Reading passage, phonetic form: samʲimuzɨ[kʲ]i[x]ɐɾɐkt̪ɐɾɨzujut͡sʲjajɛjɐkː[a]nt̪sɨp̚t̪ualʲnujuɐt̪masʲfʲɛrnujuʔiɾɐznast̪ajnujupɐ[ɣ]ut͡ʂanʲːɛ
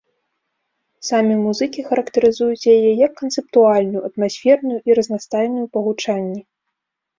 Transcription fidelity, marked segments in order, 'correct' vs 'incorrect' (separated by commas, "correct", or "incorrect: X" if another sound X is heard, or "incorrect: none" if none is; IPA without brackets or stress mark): correct, correct, incorrect: ɐ, correct